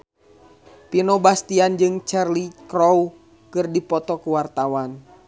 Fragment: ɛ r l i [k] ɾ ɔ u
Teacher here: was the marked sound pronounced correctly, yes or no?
yes